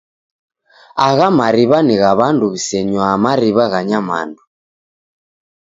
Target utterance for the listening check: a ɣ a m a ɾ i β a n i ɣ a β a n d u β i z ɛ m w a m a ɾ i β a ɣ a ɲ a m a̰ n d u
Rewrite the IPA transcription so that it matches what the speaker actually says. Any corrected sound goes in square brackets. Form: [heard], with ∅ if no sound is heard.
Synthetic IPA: a ɣ a m a ɾ i β a n i ɣ a β a n d u β i [s] ɛ [ɲ] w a m a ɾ i β a ɣ a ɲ a m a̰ n d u